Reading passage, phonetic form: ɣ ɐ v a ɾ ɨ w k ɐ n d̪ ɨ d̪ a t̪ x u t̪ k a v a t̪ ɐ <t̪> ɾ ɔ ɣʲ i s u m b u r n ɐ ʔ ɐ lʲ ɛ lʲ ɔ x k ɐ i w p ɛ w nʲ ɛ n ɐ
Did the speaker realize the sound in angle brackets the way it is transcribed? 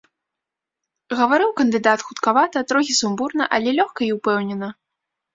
yes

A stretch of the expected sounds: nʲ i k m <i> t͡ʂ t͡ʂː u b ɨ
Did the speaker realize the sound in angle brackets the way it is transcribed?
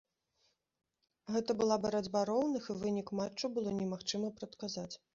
no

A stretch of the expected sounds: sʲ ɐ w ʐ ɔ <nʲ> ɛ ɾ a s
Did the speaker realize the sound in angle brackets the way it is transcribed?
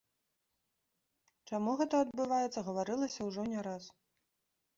yes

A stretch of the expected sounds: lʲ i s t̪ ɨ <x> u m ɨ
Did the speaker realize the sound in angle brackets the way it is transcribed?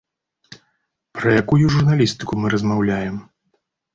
no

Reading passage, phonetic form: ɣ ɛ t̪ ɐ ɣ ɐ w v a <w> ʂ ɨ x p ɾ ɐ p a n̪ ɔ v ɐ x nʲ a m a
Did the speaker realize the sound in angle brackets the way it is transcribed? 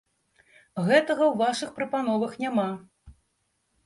no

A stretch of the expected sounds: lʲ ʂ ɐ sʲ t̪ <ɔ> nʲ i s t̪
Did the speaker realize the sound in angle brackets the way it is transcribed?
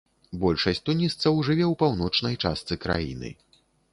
no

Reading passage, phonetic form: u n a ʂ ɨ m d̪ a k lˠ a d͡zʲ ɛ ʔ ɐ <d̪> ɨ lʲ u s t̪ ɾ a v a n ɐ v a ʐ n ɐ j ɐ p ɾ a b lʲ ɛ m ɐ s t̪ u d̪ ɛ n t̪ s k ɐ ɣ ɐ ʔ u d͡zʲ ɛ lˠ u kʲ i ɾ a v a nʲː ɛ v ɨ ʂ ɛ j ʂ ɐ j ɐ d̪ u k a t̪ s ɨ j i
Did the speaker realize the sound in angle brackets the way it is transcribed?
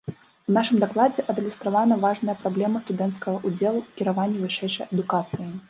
yes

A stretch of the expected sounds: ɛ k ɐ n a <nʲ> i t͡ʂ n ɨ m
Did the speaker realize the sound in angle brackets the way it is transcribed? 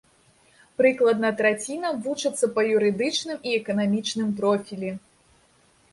no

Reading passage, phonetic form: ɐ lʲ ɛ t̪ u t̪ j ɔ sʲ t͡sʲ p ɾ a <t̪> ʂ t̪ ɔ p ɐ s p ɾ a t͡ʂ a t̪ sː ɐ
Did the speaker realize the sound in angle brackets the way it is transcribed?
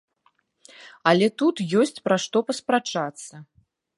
no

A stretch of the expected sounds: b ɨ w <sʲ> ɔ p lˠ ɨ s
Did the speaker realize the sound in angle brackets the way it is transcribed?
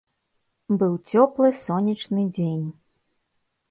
no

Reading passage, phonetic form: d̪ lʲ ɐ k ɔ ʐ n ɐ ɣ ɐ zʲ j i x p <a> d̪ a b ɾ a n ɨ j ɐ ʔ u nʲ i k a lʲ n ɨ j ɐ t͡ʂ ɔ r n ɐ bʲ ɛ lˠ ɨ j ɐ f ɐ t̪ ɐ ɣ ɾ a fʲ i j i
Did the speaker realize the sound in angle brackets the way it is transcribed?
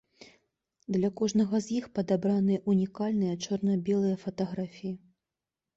no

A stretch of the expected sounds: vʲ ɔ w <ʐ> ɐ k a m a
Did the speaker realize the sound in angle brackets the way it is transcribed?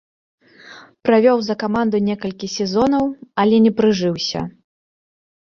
no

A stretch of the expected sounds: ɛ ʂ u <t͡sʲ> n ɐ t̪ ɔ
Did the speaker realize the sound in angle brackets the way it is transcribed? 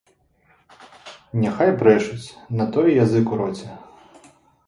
yes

